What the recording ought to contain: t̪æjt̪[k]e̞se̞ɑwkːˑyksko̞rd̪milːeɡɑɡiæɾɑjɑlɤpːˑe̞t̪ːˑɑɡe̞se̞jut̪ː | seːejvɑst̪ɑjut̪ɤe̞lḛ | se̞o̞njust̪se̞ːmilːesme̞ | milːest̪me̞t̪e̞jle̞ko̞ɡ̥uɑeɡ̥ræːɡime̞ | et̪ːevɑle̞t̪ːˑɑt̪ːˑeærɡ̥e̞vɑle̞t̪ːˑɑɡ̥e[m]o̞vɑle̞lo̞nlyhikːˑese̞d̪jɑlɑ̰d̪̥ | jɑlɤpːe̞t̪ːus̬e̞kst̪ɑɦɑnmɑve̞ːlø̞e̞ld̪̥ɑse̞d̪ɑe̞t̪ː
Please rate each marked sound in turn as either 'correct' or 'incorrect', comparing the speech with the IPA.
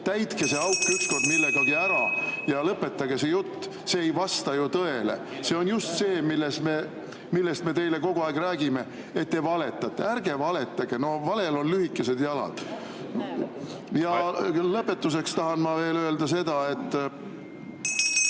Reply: correct, incorrect: n

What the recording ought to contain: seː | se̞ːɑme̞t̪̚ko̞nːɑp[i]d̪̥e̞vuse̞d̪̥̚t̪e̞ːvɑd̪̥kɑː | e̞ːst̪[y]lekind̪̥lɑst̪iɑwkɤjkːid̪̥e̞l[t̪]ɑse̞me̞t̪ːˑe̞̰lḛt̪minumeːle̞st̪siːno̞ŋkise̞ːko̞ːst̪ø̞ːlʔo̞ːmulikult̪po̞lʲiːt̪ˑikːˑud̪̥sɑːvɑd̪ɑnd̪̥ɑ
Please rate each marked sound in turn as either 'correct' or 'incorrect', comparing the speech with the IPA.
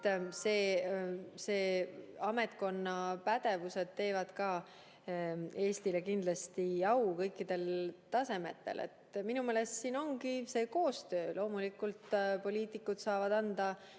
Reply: incorrect: æ, incorrect: i, correct

